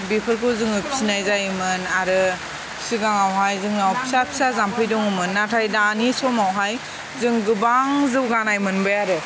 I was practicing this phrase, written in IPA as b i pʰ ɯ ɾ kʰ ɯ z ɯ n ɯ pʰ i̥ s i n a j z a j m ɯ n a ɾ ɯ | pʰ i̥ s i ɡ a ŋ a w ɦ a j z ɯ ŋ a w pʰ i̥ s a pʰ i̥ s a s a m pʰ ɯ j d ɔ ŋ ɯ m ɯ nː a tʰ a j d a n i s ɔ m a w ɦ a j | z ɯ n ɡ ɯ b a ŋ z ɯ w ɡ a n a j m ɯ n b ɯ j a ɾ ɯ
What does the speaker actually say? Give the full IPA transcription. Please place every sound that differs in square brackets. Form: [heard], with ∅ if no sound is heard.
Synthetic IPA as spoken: b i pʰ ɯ ɾ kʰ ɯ z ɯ [ŋ] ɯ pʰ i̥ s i n a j z a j m ɯ n a ɾ ɯ | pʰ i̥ s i ɡ a ŋ a w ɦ a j z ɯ ŋ a w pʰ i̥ s a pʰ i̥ s a [z] a m pʰ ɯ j d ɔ ŋ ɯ m ɯ nː a tʰ a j d a n i s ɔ m a w ɦ a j | z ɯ [ŋ] ɡ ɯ b a ŋ z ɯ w ɡ a n a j m ɯ n b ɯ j a ɾ ɯ